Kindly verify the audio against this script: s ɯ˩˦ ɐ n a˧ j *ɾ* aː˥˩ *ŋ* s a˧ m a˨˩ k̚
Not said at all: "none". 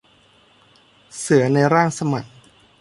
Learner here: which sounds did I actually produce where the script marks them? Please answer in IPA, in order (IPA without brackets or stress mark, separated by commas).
ɾ, ŋ